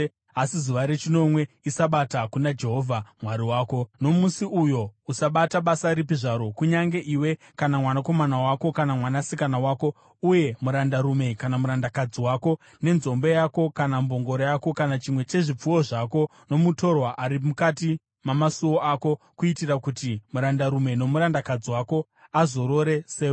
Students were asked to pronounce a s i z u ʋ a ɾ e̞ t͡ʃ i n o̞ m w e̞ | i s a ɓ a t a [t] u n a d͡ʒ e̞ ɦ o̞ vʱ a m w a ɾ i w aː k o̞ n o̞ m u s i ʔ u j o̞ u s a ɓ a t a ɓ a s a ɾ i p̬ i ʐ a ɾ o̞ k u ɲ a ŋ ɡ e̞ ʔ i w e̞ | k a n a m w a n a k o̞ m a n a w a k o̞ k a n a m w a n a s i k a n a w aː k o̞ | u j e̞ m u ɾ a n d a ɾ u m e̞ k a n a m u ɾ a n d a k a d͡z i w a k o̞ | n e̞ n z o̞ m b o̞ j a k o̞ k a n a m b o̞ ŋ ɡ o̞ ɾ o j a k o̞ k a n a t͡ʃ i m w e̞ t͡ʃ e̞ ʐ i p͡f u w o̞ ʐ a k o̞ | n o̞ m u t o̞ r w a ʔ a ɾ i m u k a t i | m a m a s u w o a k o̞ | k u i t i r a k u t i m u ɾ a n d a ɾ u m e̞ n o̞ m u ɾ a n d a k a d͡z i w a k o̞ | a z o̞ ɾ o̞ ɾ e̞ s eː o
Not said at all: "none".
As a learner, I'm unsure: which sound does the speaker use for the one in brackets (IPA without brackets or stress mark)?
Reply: k